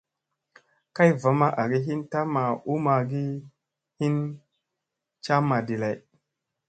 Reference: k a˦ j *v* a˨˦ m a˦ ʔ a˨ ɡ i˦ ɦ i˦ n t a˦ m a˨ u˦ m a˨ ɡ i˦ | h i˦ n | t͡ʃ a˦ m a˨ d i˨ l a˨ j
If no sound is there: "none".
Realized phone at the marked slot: v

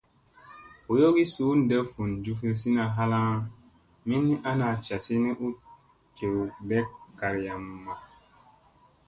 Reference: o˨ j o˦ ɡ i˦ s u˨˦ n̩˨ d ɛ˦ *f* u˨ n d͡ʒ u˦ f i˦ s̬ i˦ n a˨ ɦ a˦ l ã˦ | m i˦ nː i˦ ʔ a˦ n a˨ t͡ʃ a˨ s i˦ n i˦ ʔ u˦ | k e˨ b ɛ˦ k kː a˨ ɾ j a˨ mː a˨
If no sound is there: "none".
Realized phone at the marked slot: f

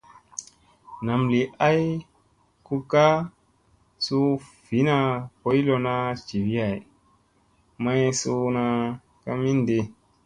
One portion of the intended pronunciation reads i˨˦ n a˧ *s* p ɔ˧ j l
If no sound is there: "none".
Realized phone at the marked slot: none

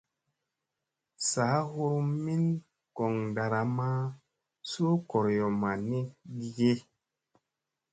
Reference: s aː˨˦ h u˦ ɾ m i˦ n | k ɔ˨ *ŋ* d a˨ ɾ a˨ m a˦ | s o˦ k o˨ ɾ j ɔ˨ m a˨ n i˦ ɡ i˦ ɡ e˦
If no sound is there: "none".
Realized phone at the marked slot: ŋ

